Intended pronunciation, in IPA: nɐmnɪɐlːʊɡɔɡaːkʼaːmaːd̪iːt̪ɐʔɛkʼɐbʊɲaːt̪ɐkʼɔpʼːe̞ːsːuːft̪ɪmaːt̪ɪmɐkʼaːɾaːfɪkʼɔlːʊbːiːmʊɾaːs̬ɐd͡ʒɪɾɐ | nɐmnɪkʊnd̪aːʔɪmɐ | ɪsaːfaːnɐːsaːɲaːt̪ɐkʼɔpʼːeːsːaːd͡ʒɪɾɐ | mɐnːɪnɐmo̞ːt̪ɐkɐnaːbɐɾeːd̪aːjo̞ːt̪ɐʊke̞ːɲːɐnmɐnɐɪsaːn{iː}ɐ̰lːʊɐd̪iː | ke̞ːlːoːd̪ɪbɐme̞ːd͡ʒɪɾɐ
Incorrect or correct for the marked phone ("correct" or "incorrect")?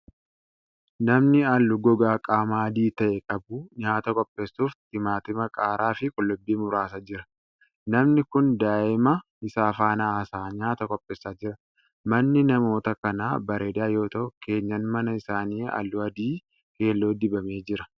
correct